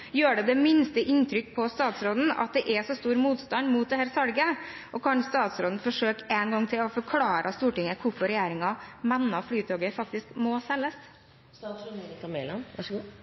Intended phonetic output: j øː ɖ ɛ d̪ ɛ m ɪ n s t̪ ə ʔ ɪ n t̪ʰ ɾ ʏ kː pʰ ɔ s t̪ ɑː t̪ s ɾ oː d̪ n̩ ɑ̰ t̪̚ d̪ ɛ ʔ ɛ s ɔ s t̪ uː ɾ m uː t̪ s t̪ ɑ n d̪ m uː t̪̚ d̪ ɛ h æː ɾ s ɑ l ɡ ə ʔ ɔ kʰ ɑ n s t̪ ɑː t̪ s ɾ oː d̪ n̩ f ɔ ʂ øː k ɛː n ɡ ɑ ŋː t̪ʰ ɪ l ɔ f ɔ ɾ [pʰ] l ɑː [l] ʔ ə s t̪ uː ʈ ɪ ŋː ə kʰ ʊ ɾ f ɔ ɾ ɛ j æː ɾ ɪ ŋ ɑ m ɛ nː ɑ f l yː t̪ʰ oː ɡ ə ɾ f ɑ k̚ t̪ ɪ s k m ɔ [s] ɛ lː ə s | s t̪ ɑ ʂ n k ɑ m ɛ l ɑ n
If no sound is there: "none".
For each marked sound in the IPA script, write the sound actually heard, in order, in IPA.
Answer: kʰ, ɾ, s

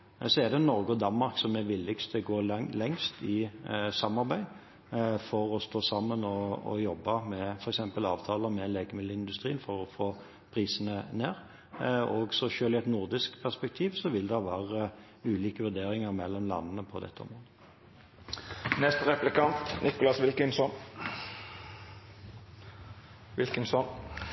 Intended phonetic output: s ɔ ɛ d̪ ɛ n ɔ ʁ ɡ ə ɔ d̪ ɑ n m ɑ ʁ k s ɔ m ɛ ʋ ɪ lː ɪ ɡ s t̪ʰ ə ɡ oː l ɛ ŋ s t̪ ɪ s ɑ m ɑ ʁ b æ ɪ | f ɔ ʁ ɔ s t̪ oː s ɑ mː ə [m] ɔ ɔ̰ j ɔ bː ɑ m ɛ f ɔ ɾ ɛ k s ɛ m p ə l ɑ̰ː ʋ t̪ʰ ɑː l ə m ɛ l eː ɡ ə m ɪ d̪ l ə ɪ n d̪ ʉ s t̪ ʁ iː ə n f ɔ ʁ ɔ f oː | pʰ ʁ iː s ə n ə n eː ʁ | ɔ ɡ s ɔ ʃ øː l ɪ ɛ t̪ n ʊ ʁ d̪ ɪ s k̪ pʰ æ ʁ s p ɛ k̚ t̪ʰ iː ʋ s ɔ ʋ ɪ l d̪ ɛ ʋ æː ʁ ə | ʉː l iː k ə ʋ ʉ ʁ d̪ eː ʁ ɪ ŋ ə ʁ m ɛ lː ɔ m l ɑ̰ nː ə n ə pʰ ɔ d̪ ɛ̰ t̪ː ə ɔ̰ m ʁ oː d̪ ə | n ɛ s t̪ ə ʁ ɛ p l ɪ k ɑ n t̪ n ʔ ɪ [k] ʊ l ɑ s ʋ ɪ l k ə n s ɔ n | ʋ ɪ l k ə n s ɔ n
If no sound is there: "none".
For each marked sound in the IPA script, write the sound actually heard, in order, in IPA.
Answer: n, k

